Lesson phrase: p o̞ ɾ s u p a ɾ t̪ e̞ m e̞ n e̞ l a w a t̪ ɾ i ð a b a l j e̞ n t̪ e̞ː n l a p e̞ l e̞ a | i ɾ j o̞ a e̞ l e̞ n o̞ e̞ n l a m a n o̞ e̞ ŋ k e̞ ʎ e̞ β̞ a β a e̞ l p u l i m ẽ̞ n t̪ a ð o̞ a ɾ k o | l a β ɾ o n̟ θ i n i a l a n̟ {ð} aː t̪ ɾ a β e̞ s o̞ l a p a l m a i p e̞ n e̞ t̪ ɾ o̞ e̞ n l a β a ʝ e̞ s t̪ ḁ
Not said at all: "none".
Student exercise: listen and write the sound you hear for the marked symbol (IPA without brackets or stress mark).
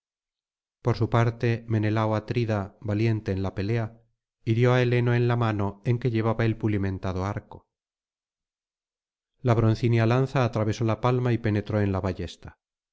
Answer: θ